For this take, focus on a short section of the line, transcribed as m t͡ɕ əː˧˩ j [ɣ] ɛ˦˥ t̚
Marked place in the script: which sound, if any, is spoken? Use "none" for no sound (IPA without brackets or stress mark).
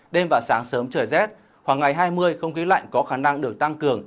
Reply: z